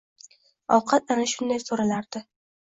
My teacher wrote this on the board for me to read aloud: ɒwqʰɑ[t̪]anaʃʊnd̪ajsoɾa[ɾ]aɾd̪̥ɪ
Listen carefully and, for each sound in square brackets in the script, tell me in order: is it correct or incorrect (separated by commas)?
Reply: correct, incorrect